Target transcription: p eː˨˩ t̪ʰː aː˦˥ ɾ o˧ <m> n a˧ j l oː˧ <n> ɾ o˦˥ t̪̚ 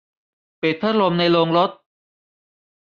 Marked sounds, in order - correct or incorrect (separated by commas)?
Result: correct, incorrect